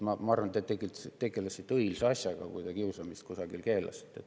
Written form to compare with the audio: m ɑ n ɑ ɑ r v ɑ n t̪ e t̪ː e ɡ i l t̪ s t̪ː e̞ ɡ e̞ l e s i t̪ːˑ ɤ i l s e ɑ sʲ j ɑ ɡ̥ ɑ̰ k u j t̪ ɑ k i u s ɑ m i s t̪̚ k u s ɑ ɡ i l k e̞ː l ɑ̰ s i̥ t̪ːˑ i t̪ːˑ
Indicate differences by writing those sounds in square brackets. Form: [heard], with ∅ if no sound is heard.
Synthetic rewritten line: m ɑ [m] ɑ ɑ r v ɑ n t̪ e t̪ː e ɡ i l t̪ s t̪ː e̞ ɡ e̞ l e s i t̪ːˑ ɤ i l s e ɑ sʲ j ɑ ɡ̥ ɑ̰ k u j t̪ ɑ k i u s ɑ m i s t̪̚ k u s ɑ ɡ i l k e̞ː l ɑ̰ s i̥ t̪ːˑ [e] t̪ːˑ